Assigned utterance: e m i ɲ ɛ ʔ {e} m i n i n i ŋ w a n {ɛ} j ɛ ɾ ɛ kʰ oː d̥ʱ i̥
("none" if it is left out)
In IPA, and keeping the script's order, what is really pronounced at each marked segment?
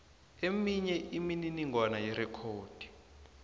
i, a

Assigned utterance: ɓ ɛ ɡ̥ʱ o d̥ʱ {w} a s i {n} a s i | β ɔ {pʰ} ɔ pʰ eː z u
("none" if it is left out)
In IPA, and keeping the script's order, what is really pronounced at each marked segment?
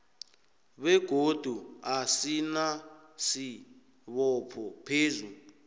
u, n, pʰ

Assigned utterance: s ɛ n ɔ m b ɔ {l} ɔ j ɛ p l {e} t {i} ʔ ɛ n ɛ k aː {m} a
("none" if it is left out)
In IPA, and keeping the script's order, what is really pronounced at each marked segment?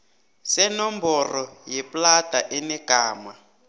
r, a, a, m

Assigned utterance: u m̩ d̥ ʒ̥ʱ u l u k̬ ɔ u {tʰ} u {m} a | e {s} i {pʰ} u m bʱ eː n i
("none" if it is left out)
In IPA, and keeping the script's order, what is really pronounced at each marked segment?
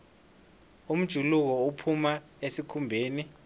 pʰ, m, s, kʰ

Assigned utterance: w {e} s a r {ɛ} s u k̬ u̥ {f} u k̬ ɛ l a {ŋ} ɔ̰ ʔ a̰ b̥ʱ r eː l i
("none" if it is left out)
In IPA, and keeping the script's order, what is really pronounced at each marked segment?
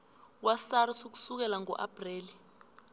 a, i, s, ŋ

